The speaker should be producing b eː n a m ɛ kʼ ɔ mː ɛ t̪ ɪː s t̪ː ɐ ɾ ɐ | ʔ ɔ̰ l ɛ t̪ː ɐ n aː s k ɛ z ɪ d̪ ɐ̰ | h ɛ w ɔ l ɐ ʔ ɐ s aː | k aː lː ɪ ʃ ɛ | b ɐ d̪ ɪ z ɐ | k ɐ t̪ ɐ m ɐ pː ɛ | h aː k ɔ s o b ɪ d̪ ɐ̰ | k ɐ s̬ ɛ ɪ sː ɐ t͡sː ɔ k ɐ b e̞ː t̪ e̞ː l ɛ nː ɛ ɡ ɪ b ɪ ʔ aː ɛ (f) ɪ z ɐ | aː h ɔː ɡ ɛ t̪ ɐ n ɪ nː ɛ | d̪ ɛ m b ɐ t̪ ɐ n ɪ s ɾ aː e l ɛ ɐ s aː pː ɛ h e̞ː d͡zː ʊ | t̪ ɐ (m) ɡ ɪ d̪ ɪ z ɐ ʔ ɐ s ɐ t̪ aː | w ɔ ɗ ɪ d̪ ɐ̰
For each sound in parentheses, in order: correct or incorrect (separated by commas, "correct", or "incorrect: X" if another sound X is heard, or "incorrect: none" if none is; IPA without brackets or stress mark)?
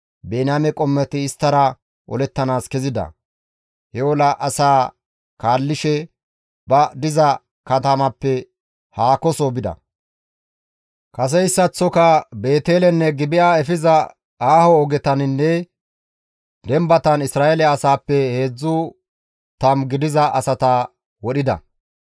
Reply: correct, correct